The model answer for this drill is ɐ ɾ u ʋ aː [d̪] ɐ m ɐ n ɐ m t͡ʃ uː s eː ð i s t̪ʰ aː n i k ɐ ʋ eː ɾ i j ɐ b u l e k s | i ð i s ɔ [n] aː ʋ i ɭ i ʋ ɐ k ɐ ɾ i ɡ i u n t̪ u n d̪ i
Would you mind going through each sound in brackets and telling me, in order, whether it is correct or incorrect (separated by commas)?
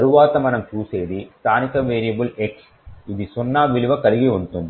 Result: incorrect, incorrect